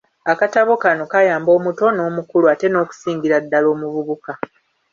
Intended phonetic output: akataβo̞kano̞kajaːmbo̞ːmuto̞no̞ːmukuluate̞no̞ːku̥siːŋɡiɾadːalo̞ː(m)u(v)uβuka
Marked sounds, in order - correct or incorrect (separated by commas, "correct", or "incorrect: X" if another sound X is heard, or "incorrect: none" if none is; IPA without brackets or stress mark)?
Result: correct, incorrect: β